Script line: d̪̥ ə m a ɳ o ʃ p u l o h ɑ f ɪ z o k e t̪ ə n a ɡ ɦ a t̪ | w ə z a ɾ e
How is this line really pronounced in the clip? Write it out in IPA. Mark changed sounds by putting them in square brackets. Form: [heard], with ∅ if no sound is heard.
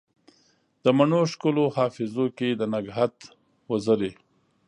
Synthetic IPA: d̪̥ ə m a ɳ o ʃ [k] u l o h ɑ f ɪ z o k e [d̪] ə n a ɡ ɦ a t̪ | w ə z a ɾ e